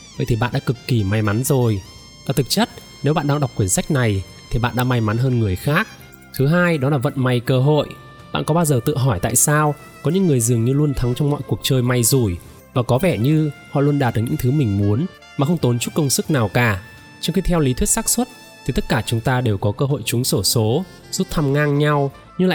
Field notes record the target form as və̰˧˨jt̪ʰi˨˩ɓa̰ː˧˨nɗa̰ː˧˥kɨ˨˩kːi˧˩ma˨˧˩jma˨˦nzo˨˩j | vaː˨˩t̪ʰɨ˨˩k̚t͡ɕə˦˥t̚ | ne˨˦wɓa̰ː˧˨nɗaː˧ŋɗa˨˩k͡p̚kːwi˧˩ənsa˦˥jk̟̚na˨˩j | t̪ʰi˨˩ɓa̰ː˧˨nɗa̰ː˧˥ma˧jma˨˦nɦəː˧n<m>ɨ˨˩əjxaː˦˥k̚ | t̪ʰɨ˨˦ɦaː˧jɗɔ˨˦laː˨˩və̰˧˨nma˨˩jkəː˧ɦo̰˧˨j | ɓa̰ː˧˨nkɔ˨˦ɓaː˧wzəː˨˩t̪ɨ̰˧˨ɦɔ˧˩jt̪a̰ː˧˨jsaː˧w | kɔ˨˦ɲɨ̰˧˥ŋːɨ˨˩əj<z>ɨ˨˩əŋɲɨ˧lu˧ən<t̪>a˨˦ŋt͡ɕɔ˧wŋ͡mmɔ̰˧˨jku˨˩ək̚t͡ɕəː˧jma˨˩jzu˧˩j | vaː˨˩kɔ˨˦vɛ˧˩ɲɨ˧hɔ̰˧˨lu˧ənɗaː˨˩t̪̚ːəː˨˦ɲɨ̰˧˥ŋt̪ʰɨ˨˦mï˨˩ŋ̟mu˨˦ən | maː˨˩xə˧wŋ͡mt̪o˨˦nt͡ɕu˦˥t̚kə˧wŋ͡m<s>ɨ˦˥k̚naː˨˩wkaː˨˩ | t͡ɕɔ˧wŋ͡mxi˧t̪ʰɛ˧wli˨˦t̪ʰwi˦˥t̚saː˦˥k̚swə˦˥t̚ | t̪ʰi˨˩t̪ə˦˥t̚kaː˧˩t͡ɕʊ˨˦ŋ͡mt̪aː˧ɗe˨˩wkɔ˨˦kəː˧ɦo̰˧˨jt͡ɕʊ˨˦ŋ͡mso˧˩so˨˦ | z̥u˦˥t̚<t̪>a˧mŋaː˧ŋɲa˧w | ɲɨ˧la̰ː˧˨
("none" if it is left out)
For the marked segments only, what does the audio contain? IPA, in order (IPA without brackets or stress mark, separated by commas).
ŋ, z, t̪ʰ, s, t̪ʰ